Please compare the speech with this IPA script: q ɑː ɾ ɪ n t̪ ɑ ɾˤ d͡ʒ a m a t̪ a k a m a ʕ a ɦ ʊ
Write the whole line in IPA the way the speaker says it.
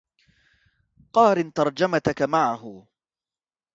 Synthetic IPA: q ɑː ɾ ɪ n t̪ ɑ ɾˤ d͡ʒ a m a t̪ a k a m a ʕ a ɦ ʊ